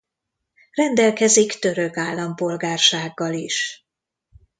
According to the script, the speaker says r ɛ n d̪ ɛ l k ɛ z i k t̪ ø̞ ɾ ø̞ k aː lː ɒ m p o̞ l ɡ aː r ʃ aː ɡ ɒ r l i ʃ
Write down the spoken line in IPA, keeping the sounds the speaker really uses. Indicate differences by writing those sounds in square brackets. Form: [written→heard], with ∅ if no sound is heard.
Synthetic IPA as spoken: r ɛ n d̪ ɛ l k ɛ z i k t̪ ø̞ ɾ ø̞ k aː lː ɒ m p o̞ l ɡ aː r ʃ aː [ɡ→ɡː] ɒ [r→∅] l i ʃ